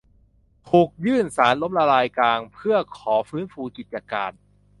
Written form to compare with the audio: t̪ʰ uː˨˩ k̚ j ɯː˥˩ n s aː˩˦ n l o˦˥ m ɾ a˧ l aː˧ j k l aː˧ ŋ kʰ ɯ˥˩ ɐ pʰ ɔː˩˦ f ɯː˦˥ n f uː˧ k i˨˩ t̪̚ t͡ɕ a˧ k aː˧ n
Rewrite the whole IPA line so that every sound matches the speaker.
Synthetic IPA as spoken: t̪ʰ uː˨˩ k̚ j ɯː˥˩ n s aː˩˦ n l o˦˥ m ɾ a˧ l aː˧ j k l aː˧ ŋ pʰ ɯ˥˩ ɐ kʰ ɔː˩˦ f ɯː˦˥ n f uː˧ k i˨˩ t̪̚ t͡ɕ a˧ k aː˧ n

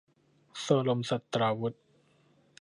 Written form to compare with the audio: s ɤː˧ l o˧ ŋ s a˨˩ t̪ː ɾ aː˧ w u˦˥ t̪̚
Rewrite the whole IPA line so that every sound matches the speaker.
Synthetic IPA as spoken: s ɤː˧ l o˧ m s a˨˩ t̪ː ɾ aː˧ w u˦˥ t̪̚

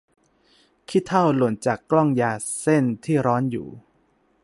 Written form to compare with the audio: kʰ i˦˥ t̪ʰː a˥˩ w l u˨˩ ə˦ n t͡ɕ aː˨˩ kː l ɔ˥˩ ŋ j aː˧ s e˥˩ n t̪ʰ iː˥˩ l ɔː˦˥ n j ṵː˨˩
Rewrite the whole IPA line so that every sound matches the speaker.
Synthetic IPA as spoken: kʰ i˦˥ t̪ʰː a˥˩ w l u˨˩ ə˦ n t͡ɕ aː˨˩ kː l ɔ˥˩ ŋ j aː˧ s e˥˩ n t̪ʰ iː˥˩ ɾ ɔː˦˥ n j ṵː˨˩

